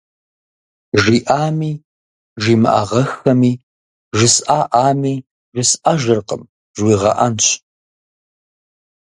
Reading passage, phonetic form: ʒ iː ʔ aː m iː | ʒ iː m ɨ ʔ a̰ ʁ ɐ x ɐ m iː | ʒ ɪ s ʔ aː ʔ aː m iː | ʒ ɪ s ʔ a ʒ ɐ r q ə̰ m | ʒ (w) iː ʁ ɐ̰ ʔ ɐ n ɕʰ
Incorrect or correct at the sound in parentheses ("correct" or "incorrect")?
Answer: correct